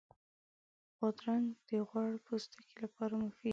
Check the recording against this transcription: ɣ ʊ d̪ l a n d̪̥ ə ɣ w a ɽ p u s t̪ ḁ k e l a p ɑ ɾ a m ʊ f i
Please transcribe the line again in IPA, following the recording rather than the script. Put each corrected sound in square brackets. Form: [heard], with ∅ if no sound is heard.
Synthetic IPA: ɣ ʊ d̪ [ɾ] a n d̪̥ ə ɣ w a ɽ p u s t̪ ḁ k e l a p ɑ ɾ a m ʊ f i